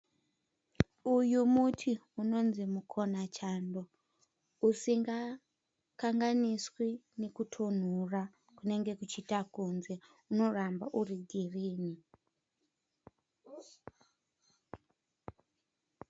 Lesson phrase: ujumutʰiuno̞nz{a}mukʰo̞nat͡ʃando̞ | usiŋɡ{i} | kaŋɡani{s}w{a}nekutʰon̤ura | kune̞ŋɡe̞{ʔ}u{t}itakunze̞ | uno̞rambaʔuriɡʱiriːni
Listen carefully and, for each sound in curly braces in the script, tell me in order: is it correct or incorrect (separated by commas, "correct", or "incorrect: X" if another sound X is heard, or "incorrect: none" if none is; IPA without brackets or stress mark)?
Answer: incorrect: i, incorrect: a, correct, incorrect: i, incorrect: k, incorrect: t͡ʃ